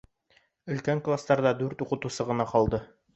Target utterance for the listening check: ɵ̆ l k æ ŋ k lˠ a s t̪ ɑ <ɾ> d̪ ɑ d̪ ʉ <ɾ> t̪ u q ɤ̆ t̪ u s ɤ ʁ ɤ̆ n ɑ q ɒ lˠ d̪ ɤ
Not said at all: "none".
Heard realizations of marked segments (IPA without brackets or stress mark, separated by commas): ɾ, ɾ